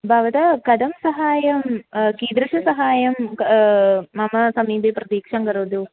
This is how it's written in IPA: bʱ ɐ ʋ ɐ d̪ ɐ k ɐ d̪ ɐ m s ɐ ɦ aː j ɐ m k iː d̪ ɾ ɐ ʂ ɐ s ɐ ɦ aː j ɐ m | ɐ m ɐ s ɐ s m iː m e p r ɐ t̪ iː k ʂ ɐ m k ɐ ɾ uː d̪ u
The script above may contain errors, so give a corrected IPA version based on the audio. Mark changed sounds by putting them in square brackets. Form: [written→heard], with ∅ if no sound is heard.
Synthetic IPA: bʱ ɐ ʋ ɐ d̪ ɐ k ɐ d̪ ɐ m s ɐ ɦ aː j ɐ m k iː d̪ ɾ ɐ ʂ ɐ s ɐ ɦ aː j ɐ m | ɐ m ɐ s ɐ [s→∅] m iː [m→b] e p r ɐ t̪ iː k ʂ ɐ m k ɐ ɾ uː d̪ u

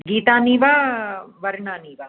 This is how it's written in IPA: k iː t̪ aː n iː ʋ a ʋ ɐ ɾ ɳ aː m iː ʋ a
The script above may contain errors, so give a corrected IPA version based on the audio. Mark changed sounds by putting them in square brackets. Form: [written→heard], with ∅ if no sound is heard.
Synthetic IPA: [k→ɡ] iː t̪ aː n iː ʋ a ʋ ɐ ɾ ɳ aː [m→n] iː ʋ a

